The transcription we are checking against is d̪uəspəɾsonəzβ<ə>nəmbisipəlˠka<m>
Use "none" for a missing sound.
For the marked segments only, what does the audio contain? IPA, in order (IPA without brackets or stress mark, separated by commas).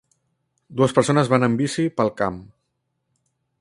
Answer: a, m